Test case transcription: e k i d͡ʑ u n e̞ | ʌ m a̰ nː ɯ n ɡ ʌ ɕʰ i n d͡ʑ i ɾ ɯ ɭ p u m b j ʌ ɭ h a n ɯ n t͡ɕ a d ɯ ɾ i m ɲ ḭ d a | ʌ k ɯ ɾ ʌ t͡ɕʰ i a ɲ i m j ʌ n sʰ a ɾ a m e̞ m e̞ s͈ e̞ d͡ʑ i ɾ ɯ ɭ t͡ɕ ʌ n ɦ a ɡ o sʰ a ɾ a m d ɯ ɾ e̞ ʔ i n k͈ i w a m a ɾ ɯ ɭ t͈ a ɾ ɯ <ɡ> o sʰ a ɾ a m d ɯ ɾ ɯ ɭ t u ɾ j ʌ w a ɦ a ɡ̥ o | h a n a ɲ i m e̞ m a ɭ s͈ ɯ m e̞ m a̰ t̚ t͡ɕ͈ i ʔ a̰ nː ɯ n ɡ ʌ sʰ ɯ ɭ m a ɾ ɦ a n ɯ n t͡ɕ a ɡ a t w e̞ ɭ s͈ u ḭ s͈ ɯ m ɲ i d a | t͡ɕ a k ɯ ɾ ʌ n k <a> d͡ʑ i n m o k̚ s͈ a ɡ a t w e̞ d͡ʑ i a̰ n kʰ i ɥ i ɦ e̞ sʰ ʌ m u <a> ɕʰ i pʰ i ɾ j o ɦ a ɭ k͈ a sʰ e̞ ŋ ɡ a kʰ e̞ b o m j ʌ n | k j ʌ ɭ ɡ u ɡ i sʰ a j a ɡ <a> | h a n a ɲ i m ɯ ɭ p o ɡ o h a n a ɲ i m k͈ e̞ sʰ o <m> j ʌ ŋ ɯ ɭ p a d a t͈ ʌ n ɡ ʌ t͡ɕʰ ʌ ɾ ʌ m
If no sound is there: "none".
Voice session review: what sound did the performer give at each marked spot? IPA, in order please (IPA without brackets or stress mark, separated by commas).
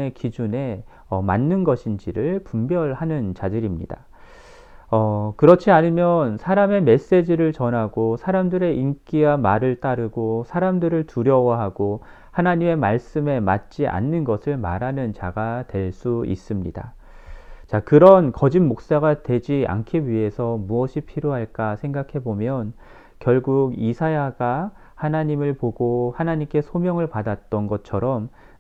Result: ɡ, ʌ, ʌ, a, m